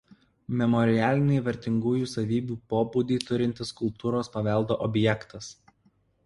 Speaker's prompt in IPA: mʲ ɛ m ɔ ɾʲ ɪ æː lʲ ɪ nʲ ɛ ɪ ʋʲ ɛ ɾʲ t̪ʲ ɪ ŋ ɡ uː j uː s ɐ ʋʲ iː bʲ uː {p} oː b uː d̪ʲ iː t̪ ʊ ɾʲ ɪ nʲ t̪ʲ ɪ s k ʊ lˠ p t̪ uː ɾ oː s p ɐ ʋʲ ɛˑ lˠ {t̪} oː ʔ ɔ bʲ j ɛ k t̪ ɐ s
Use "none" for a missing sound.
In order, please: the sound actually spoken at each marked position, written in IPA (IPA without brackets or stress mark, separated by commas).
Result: p, d̪